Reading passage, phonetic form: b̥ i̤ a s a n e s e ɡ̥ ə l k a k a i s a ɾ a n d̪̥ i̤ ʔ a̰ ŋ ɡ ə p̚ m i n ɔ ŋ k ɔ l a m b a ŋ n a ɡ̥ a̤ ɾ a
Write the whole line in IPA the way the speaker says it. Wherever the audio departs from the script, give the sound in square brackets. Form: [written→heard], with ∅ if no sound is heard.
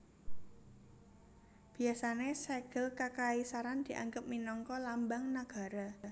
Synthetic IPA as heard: b̥ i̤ a s a n e s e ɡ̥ ə l k a k a i s a ɾ a n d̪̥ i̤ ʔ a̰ ŋ ɡ ə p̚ m i n ɔ ŋ k ɔ l a m b a ŋ n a ɡ̥ a̤ ɾ a